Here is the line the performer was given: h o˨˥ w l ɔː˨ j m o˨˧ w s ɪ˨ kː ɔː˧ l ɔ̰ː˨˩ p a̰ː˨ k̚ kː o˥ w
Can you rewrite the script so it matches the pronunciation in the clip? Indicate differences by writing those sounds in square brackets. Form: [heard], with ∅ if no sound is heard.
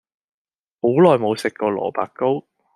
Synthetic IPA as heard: h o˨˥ w l ɔː˨ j m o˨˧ w s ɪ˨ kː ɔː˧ l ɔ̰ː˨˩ p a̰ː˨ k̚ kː o˥ w